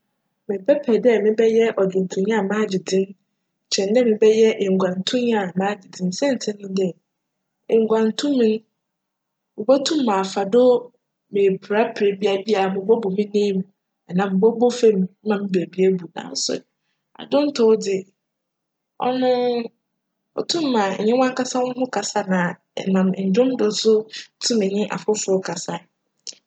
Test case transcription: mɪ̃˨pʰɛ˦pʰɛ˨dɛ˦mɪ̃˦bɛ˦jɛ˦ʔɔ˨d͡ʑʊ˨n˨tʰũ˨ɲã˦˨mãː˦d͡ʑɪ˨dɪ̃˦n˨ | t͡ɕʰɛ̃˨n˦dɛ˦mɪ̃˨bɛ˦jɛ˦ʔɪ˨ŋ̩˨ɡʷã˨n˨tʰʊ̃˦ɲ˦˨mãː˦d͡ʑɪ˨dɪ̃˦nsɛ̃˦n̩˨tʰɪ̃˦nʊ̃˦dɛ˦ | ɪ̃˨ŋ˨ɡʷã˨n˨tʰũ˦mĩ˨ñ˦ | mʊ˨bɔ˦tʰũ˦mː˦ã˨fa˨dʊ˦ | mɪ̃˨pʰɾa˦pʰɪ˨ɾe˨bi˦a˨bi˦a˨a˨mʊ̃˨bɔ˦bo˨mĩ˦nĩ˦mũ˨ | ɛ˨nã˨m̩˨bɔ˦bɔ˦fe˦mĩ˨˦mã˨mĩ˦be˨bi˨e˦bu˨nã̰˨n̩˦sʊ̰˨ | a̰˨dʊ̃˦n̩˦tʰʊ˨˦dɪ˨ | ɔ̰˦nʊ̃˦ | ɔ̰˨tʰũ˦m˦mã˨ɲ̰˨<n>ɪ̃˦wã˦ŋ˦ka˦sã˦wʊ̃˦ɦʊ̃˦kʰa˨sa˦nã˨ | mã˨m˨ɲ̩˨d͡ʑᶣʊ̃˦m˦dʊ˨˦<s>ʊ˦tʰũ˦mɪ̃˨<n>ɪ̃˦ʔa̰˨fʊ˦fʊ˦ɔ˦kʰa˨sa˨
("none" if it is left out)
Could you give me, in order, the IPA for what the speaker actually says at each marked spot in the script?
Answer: ɲ, s, ɲ

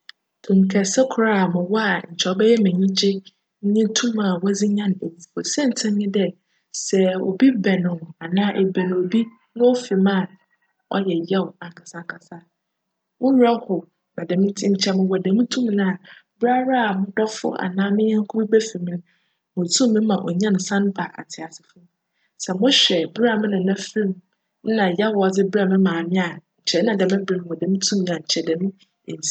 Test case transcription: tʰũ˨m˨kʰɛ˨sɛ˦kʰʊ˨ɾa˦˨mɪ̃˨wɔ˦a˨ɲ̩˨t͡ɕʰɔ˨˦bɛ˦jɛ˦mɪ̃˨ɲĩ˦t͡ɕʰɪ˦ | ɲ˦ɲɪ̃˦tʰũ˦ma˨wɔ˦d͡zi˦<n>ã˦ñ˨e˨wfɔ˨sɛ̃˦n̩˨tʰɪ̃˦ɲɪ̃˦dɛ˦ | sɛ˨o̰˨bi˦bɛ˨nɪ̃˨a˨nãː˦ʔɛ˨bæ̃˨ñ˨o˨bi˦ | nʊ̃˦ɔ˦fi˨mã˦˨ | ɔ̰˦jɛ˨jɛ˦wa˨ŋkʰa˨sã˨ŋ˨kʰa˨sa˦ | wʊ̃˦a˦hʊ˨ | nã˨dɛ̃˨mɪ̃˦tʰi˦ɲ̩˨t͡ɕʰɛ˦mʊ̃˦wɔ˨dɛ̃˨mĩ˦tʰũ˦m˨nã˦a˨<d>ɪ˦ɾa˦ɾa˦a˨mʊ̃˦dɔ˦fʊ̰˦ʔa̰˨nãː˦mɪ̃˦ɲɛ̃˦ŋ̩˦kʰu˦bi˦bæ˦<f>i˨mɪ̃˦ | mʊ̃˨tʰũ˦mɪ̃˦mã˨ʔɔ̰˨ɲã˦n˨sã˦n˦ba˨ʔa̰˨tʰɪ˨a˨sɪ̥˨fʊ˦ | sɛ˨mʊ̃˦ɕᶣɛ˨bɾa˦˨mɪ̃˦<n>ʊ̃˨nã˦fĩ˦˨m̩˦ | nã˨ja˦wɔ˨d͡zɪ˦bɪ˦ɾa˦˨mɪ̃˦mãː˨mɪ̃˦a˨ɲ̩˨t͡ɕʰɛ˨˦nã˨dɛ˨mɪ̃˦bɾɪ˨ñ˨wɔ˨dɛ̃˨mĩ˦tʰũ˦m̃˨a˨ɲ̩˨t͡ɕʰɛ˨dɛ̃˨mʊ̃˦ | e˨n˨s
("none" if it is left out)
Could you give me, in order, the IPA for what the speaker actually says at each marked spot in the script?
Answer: ɲ, b, f, n

